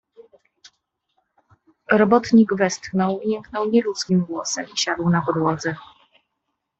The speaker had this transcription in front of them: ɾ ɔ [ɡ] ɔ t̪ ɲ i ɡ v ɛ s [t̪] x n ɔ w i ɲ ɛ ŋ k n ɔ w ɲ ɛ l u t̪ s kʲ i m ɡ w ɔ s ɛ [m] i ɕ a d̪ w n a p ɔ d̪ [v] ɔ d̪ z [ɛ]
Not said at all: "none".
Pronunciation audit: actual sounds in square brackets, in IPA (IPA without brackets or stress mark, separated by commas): b, t̪, m, w, ɛ